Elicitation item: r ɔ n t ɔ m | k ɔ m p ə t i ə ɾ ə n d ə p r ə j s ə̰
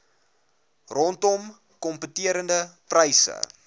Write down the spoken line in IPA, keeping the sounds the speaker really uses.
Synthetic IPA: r ɔ n t ɔ m | k ɔ m p ə t i ə ɾ ə n d ə p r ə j s ə̰

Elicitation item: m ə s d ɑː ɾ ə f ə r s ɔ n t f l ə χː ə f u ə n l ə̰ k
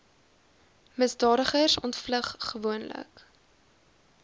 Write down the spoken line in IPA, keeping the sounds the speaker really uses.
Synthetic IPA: m ə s d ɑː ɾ ə χ ə r s ɔ n t f l ə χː ə v u ə n l ə̰ k

